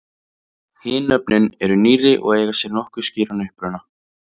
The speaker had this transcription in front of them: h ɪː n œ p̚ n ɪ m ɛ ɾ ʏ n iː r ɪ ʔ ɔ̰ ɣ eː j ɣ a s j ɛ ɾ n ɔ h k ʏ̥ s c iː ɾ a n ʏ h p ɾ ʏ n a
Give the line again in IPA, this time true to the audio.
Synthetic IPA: h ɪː n œ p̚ n ɪ n ɛ ɾ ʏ n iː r ɪ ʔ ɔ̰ ɣ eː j ɣ a s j ɛ ɾ n ɔ h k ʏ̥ s c iː ɾ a n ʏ h p ɾ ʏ n a